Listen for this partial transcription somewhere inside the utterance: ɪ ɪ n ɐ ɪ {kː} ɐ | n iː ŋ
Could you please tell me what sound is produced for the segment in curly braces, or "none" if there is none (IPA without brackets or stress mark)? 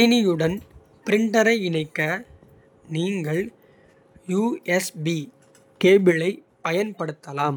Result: kː